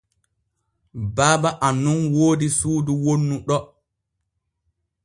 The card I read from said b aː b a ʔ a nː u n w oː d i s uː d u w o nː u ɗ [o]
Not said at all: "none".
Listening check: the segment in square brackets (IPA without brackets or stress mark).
ɔ